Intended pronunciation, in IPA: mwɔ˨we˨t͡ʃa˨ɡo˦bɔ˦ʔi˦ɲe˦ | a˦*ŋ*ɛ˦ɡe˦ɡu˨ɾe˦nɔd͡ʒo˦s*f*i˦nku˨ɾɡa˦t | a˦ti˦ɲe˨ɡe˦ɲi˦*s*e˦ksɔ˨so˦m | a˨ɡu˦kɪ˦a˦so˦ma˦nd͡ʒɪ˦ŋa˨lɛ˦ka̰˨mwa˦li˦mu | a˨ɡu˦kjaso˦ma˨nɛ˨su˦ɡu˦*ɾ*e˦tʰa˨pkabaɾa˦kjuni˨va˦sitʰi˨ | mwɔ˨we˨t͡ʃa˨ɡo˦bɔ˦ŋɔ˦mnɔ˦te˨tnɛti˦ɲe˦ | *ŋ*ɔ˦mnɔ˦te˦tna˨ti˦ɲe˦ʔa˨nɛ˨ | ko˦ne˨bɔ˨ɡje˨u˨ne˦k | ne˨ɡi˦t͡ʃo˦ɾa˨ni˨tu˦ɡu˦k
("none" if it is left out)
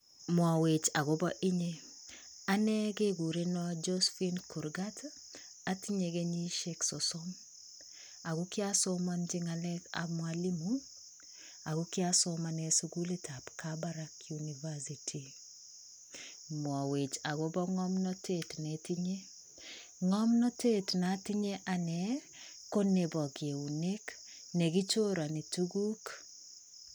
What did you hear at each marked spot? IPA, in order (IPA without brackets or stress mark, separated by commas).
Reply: n, f, ʃ, l, ŋ